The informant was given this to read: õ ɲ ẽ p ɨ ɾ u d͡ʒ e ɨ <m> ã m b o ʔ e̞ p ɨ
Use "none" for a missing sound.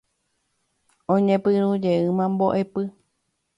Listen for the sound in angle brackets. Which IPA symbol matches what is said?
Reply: m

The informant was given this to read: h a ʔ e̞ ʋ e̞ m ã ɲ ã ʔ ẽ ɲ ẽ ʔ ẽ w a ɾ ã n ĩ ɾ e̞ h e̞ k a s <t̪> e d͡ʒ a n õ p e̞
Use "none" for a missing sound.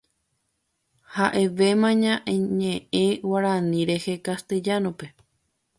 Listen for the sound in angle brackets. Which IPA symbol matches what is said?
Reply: t̪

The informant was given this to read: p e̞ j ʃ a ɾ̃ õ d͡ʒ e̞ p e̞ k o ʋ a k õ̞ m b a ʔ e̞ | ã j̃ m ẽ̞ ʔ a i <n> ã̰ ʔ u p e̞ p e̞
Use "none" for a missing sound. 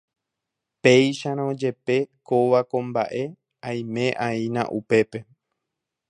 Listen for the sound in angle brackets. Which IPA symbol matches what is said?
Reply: n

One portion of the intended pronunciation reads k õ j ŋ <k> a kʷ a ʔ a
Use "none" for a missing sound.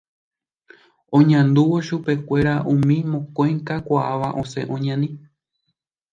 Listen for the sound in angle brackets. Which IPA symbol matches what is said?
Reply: k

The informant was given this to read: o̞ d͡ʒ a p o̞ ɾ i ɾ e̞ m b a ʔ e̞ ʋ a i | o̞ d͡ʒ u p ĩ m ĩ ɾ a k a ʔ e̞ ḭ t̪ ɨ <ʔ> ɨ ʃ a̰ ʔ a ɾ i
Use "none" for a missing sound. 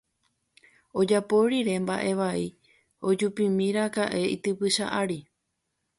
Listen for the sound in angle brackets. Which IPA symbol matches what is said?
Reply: p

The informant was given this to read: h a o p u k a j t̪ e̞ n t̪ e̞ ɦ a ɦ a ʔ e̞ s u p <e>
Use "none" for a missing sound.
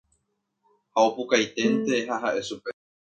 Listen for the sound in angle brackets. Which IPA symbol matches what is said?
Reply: e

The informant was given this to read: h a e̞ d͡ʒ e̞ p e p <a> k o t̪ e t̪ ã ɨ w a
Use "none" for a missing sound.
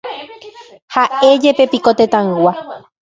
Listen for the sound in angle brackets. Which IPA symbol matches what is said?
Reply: i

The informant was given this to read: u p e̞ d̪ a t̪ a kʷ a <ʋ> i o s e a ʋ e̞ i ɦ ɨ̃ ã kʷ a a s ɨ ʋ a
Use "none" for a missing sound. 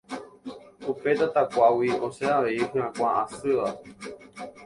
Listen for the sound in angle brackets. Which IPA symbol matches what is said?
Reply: w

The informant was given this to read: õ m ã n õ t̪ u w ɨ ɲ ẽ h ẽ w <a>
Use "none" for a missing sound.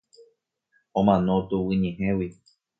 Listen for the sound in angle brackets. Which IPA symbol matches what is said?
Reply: i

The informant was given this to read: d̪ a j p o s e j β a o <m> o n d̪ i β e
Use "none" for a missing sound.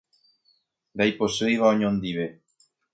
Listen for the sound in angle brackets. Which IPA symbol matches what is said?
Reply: ɲ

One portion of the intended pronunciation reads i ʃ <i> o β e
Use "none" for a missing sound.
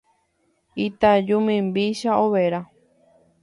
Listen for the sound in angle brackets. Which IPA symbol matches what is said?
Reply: a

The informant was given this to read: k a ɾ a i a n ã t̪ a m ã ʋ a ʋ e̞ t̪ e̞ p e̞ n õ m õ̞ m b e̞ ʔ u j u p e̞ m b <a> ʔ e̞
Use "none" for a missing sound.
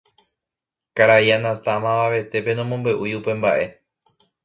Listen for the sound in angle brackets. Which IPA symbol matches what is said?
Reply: a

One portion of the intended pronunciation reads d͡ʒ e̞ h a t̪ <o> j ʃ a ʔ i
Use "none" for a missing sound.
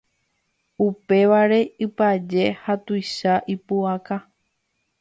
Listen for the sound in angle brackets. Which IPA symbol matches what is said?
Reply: u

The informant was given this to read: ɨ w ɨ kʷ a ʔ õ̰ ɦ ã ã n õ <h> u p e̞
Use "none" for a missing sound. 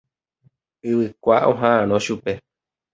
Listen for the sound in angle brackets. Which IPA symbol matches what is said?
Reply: ʃ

